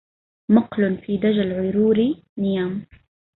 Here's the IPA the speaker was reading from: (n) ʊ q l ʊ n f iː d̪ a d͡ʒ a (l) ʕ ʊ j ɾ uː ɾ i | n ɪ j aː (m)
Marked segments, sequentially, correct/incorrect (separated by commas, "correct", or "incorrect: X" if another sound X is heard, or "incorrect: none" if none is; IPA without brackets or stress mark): incorrect: m, correct, correct